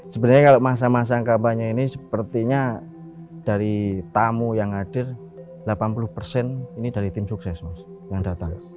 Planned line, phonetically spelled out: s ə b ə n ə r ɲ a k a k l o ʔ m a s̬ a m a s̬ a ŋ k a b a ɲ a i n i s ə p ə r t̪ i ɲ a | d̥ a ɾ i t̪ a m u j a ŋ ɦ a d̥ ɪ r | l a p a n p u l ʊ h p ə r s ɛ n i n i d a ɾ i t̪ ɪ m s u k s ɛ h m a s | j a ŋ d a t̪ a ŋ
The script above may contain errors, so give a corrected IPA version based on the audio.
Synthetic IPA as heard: s ə b ə n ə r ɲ a k a l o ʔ m a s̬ a m a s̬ a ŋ k a b a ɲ a i n i s ə p ə r t̪ i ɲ a | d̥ a ɾ i t̪ a m u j a ŋ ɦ a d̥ ɪ r | l a p a n p u l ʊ h p ə r s ɛ n i n i d a ɾ i t̪ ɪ m s u k s ɛ s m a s | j a ŋ d a t̪ a ŋ